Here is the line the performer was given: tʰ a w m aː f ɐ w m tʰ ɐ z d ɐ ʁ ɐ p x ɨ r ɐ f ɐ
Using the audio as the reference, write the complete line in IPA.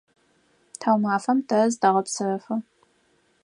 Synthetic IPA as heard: tʰ a w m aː f ɐ m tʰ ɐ z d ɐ ʁ ɐ p s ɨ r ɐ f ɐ